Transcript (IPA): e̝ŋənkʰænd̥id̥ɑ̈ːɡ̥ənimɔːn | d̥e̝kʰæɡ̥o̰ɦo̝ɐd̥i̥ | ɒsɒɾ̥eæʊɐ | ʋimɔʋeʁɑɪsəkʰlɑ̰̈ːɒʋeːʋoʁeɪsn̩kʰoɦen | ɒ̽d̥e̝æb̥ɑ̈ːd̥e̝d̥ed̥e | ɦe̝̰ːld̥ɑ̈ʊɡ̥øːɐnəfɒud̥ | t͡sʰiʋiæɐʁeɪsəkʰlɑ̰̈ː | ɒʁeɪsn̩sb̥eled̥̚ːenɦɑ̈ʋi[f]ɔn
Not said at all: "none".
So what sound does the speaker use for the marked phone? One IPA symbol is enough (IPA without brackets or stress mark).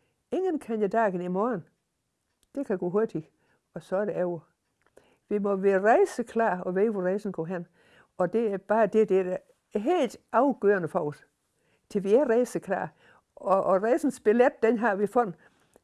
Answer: f